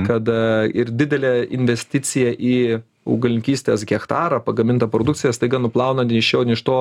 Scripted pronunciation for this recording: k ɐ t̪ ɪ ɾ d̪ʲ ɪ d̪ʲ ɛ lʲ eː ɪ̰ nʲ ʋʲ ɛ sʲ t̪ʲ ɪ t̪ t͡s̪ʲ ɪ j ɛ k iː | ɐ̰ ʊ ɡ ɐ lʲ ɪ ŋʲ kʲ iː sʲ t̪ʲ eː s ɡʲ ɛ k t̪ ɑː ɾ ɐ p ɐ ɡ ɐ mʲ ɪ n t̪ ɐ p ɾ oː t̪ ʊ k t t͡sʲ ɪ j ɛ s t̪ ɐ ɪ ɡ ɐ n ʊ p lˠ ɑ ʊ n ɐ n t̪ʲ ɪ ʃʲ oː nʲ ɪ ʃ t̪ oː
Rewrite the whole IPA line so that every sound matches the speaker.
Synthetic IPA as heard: k ɐ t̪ ɪ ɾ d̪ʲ ɪ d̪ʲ ɛ lʲ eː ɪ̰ nʲ ʋʲ ɛ sʲ t̪ʲ ɪ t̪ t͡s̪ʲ ɪ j ɛ ʔ iː | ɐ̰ ʊ ɡ ɐ lʲ ɪ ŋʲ kʲ iː sʲ t̪ʲ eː s ɡʲ ɛ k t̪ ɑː ɾ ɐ p ɐ ɡ ɐ mʲ ɪ n t̪ ɐ p ɾ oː d̪ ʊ k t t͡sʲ ɪ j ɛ s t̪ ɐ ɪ ɡ ɐ n ʊ p lˠ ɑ ʊ n ɐ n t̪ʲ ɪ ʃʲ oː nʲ ɪ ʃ t̪ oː